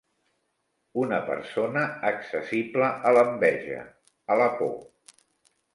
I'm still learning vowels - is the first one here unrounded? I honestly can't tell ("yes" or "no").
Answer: no